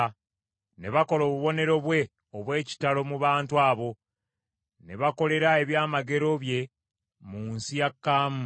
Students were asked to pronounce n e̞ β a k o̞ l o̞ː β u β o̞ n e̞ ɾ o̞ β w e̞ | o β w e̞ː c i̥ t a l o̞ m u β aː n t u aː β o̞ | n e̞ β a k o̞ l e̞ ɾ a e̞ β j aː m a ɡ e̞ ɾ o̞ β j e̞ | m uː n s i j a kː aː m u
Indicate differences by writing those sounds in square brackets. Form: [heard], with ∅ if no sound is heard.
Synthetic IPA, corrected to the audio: n e̞ β a k o̞ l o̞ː β u β o̞ n e̞ ɾ o̞ β w e̞ | o β w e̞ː c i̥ t a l o̞ m u β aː n t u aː β o̞ | n e̞ β a k o̞ l e̞ ɾ a e̞ β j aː m a ɡ e̞ ɾ o̞ β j e̞ | m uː n s i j a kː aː m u

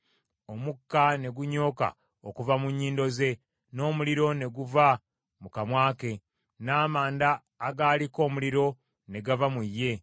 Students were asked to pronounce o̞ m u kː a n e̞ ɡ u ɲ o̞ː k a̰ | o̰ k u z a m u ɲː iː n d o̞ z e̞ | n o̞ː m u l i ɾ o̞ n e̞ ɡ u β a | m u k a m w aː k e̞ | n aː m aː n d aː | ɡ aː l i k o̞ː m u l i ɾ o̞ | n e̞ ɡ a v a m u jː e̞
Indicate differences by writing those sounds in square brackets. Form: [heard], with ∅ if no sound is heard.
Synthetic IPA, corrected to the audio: o̞ m u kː a n e̞ ɡ u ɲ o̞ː k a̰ | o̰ k u [v] a m u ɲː iː n d o̞ z e̞ | n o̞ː m u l i ɾ o̞ n e̞ ɡ u [v] a | m u k a m w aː k e̞ | n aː m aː n d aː | ɡ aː l i k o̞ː m u l i ɾ o̞ | n e̞ ɡ a v a m u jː e̞

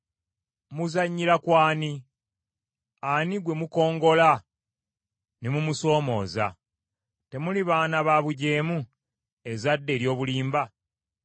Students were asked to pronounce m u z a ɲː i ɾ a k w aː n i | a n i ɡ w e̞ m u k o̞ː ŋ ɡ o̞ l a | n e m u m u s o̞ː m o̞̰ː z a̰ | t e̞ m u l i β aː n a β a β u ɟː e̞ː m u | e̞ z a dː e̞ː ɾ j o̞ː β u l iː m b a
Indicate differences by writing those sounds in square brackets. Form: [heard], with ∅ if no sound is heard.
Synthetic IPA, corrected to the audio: m u z a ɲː i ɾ a k w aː n i | a n i ɡ w e̞ m u k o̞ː ŋ ɡ o̞ l a | n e m u m u s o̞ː m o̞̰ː z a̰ | t e̞ m u l i β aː n a β a β u [ɟ] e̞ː m u | e̞ z a dː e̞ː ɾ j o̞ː β u l iː m b a

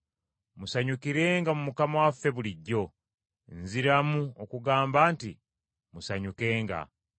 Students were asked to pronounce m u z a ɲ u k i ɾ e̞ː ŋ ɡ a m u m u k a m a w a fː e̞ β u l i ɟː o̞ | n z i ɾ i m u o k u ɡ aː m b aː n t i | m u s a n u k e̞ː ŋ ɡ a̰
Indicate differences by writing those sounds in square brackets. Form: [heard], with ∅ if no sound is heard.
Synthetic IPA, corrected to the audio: m u [s] a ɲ u k i ɾ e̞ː ŋ ɡ a m u m u k a m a w a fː e̞ β u l i ɟː o̞ | n z i ɾ [a] m u o k u ɡ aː m b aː n t i | m u s a [ɲ] u k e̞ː ŋ ɡ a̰

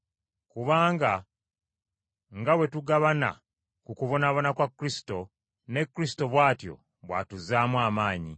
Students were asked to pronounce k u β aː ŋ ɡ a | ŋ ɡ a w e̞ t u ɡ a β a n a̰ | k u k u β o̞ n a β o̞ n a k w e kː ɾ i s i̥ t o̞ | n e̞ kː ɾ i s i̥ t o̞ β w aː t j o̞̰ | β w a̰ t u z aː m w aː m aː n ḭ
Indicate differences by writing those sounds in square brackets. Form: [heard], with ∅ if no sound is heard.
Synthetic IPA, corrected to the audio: k u β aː ŋ ɡ a | ŋ ɡ a w e̞ t u ɡ a β a n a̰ | k u k u β o̞ n a β o̞ n a k w [a] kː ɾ i s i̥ t o̞ | n e̞ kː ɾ i s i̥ t o̞ β w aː t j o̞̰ | β w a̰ t u z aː m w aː m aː [ɲ] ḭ

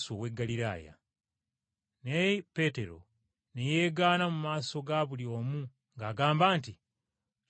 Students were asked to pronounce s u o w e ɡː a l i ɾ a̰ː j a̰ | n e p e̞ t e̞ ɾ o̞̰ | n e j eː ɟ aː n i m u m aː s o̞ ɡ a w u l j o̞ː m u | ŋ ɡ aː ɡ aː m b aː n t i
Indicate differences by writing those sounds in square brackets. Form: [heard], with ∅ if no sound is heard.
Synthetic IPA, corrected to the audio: s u o w e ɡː a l i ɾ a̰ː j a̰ | n e p e̞ t e̞ ɾ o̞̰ | n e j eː [ɡ] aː n [a] m u m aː s o̞ ɡ a [β] u l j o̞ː m u | ŋ ɡ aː ɡ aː m b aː n t i

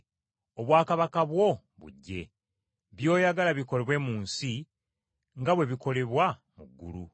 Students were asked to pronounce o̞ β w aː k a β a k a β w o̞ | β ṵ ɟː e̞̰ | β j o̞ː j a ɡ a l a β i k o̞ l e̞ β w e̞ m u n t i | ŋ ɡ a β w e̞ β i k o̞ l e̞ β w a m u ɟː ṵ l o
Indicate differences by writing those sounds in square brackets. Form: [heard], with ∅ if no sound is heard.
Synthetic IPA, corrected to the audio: o̞ β w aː k a β a k a β w o̞ | β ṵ ɟː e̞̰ | β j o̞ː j a ɡ a l a β i k o̞ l e̞ β w e̞ m [uː] n [s] i | ŋ ɡ a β w e̞ β i k o̞ l e̞ β w a m u [ɡː] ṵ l [u]

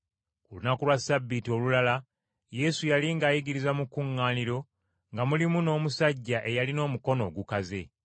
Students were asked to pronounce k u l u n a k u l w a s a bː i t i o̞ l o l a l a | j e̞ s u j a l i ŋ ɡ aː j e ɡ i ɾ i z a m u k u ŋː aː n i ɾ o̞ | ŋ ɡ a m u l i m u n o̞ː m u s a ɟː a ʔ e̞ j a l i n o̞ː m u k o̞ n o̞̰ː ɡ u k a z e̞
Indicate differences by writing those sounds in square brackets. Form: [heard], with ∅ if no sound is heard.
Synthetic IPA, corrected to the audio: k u l u n a k u l w a s a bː i t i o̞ l [u] l a l a | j e̞ s u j a l i ŋ ɡ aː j [i] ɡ i ɾ i z a m u k u ŋː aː n i ɾ o̞ | ŋ ɡ a m u l i m u n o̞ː m u s a ɟː a ʔ e̞ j a l i n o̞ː m u k o̞ n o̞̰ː ɡ u k a z e̞

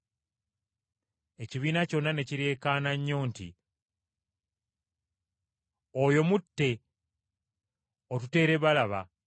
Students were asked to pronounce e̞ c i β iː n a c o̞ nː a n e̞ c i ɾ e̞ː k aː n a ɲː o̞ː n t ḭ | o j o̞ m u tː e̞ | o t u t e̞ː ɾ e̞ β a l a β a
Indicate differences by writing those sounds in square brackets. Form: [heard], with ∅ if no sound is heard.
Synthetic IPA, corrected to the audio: e̞ c i β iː n a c o̞ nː a n e̞ c i ɾ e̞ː k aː n a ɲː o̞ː n t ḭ | o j o̞ m u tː e̞ | o t u t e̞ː ɾ e̞ β a l a β a

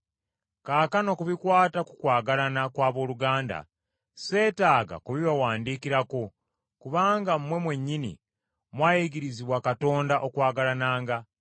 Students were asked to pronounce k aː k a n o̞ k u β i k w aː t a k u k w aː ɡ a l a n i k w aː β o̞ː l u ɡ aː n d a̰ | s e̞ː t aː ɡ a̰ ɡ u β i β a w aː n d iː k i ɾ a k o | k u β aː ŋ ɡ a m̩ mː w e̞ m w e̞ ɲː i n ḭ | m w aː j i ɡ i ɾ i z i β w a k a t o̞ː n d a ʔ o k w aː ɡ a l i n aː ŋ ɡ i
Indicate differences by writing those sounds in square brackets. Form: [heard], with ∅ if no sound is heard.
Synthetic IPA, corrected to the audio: k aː k a n o̞ k u β i k w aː t a k u k w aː ɡ a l a n [a] k w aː β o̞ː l u ɡ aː n d a̰ | s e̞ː t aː ɡ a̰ [k] u β i β a w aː n d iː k i ɾ a k o | k u β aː ŋ ɡ a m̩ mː w e̞ m w e̞ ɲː i n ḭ | m w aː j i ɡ i ɾ i z i β w a k a t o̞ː n d a ʔ o k w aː ɡ a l [a] n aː ŋ ɡ [a]

